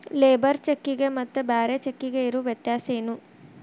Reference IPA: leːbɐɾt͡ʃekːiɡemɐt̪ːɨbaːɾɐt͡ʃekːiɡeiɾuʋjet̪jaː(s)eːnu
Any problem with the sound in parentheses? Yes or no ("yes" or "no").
no